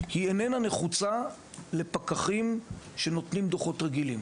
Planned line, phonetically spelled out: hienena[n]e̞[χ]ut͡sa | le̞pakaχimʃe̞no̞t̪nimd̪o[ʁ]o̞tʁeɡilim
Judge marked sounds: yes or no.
yes, yes, no

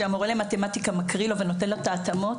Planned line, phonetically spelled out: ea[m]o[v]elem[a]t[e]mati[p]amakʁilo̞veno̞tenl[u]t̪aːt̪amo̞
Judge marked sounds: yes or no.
yes, no, yes, yes, no, no

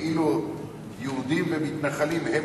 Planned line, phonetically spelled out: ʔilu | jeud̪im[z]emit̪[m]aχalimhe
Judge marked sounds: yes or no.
no, no

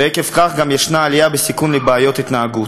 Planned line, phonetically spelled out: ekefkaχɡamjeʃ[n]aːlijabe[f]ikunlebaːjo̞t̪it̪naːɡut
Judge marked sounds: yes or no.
yes, no

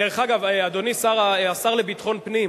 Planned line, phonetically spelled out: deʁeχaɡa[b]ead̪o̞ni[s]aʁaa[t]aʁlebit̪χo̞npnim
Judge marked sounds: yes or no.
no, yes, no

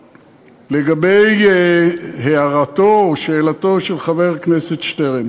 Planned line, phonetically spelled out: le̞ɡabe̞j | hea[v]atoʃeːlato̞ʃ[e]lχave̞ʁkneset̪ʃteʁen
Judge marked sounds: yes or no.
no, yes

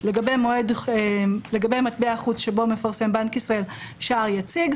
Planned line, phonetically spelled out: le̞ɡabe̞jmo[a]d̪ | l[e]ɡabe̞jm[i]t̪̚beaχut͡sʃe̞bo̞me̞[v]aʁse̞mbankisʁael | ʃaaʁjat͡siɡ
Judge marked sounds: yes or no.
no, yes, no, no

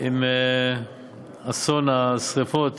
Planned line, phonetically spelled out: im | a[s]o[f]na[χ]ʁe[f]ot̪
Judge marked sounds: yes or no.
yes, no, no, yes

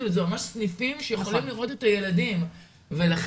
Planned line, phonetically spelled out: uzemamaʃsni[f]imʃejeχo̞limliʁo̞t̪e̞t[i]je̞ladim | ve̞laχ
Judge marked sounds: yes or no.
yes, no

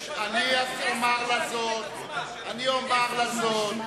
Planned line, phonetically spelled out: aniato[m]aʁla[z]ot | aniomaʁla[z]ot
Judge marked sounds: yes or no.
yes, yes, yes

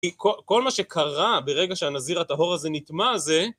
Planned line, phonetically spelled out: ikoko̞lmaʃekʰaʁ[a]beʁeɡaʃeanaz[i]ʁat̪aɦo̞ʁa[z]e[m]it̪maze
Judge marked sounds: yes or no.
yes, yes, yes, no

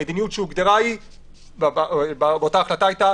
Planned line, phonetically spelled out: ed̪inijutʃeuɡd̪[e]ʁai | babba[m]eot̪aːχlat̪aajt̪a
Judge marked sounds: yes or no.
yes, no

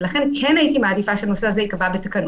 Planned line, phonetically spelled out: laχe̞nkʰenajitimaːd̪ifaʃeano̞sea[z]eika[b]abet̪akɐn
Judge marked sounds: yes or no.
yes, no

